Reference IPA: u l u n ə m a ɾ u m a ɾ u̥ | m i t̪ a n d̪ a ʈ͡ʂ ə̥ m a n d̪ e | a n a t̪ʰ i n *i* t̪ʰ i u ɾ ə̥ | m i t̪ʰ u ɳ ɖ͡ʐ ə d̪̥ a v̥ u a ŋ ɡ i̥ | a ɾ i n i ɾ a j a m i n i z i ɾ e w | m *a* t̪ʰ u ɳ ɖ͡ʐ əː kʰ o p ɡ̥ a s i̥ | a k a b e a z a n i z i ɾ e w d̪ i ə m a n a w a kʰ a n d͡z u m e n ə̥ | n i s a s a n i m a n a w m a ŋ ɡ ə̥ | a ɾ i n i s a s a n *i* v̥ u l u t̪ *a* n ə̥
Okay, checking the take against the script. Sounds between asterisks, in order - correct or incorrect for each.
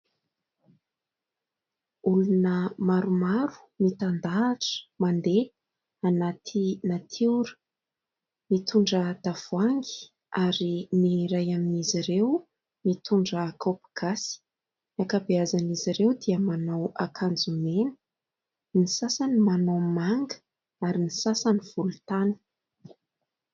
incorrect: a, incorrect: i, correct, correct

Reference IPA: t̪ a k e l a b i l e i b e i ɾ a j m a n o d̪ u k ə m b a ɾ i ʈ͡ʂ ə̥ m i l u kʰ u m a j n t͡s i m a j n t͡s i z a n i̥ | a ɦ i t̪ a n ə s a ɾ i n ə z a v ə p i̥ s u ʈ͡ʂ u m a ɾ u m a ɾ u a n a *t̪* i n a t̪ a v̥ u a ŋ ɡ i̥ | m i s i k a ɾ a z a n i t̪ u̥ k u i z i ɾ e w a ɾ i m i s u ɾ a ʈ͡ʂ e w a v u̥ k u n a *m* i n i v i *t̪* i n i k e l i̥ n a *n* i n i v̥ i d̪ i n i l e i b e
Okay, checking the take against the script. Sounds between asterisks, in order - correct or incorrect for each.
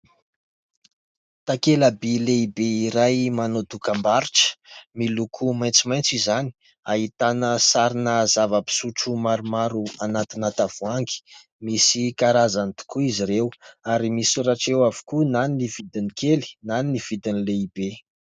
correct, incorrect: n, incorrect: d̪, correct

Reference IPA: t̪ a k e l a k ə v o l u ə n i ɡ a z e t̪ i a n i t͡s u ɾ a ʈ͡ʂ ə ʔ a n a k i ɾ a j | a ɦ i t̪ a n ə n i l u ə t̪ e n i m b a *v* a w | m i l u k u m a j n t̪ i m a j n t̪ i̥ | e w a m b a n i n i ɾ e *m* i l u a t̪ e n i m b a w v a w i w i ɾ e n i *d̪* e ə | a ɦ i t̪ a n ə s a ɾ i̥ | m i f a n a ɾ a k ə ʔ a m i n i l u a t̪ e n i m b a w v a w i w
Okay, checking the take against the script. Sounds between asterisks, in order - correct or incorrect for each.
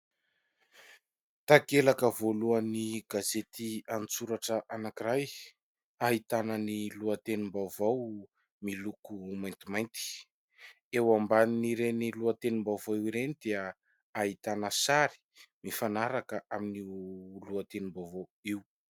correct, incorrect: n, correct

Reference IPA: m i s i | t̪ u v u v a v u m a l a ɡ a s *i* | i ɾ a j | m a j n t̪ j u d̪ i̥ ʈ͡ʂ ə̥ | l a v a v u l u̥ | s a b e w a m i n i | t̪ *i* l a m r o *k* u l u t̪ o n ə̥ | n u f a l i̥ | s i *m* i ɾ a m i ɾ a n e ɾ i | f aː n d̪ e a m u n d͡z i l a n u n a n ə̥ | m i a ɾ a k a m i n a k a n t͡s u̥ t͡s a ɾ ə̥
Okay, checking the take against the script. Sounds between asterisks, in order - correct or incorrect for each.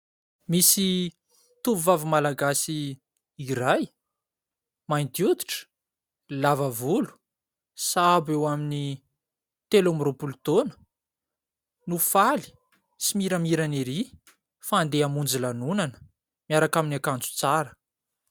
correct, incorrect: e, incorrect: p, correct

